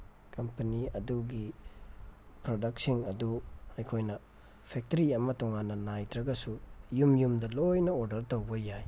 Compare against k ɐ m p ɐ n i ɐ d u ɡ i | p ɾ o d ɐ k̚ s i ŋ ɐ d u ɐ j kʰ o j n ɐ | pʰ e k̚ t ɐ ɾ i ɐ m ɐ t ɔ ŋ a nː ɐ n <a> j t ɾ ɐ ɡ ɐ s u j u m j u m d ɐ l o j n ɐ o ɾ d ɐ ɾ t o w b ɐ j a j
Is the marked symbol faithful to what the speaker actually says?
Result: yes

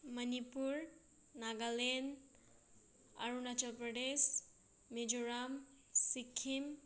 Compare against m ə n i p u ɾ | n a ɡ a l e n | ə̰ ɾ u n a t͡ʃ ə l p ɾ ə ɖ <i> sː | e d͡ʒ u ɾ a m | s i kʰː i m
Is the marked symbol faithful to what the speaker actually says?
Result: no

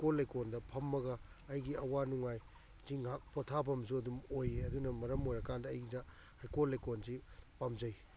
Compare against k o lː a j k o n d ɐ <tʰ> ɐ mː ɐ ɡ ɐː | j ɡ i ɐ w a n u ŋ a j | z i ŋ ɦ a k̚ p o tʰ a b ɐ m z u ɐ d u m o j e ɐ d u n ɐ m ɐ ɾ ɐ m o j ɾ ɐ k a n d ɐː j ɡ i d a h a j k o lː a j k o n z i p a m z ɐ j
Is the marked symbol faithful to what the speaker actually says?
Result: no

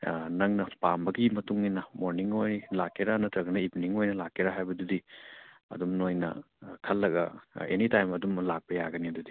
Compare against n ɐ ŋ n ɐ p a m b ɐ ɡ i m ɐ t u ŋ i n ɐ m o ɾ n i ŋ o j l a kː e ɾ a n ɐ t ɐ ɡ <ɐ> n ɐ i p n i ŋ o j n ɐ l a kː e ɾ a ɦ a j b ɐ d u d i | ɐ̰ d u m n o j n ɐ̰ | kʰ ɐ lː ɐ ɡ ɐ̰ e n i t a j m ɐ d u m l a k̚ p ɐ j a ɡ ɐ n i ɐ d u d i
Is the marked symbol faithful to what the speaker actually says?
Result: yes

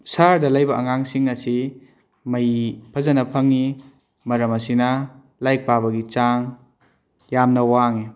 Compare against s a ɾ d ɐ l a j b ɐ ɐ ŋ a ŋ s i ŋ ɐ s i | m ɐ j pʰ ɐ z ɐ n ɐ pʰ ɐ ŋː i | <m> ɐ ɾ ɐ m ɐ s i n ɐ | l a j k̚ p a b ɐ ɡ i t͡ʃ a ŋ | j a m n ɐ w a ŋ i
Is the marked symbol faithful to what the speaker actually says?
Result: yes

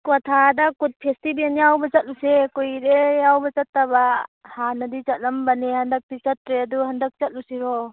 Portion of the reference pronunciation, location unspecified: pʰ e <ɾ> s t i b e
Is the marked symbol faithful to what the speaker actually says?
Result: no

